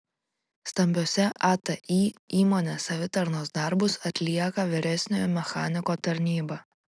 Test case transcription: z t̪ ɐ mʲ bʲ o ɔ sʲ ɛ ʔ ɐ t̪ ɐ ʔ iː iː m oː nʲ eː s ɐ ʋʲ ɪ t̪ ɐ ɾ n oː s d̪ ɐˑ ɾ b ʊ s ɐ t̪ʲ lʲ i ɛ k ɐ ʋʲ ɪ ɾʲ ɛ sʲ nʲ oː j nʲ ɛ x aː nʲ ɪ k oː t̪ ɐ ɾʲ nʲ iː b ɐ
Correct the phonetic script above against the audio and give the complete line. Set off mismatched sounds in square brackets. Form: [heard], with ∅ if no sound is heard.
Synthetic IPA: [s] t̪ ɐ mʲ bʲ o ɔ sʲ ɛ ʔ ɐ t̪ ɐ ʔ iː iː m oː nʲ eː s ɐ ʋʲ ɪ t̪ ɐ ɾ n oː s d̪ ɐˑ ɾ b ʊ s ɐ t̪ʲ lʲ i ɛ k ɐ ʋʲ ɪ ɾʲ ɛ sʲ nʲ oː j [mʲ] ɛ x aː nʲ ɪ k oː t̪ ɐ ɾʲ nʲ iː b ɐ